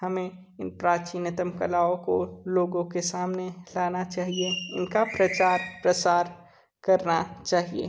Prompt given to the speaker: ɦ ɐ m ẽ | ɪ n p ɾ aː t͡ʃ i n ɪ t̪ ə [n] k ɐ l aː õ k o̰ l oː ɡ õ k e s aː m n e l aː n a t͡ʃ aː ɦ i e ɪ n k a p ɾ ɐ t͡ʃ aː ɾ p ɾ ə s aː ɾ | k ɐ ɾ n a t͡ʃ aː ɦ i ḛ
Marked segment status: incorrect: m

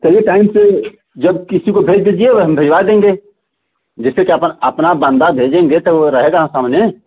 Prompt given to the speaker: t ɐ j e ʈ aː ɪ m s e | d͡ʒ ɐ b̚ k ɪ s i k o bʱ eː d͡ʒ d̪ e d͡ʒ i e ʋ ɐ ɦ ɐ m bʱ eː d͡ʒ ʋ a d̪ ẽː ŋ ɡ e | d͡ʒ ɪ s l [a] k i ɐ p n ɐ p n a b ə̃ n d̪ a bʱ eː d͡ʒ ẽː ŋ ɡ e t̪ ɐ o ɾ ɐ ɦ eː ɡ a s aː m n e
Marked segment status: incorrect: e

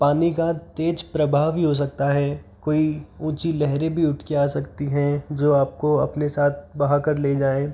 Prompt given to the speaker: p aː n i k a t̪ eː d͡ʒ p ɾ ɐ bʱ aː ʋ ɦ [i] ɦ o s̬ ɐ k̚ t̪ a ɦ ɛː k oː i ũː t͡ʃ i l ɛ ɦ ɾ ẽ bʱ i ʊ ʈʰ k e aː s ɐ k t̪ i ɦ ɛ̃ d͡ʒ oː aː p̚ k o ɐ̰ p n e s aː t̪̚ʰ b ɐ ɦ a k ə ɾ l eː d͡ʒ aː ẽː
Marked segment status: correct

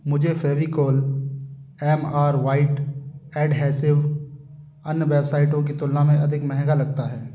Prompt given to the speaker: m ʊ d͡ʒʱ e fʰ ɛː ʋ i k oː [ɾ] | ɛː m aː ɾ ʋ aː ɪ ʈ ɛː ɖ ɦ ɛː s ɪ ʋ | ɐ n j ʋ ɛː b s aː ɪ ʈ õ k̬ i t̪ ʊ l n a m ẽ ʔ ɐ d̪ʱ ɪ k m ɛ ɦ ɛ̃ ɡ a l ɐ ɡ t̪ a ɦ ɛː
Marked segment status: incorrect: l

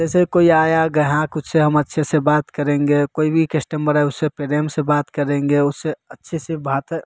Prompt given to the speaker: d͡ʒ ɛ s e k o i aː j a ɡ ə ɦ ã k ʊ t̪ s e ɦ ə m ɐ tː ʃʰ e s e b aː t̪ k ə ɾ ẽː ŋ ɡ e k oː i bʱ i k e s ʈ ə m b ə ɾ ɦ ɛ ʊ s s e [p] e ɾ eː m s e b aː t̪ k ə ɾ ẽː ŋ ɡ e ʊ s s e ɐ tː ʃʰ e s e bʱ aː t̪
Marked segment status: correct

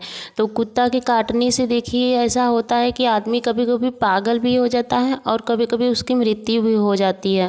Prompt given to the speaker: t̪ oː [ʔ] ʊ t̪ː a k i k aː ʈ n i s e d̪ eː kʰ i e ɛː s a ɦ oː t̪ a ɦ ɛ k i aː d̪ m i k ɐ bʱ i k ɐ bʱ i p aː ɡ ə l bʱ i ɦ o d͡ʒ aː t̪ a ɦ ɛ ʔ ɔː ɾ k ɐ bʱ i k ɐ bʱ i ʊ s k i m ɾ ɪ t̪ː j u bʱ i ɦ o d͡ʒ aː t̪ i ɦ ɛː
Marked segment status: incorrect: k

